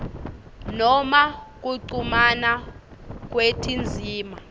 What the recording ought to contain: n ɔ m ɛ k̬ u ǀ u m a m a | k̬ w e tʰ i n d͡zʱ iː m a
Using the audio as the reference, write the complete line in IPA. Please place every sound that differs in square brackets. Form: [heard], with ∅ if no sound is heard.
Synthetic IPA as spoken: n ɔ m [a] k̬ u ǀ u m a [n] a | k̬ w e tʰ i n d͡zʱ iː m a

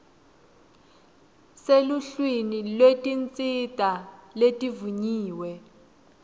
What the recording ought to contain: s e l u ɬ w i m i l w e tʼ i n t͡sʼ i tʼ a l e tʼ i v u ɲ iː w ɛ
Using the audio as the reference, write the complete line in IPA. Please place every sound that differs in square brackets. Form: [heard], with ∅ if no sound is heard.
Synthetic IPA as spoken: s e l u ɬ w i [n] i l w e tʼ i n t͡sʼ i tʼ a l e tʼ i v u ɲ iː w ɛ

